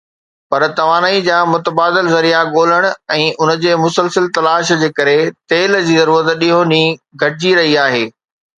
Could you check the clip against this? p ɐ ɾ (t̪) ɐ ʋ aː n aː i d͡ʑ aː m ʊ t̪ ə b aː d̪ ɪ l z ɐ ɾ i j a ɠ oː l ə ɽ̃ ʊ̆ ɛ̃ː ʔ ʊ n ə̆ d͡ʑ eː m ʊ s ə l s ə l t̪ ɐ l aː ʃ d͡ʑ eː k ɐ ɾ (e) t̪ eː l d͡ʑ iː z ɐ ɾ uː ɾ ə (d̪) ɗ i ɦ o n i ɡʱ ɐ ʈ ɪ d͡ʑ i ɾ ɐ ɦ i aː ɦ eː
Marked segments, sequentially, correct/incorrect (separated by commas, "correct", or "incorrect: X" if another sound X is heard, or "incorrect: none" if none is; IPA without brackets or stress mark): correct, correct, incorrect: t̪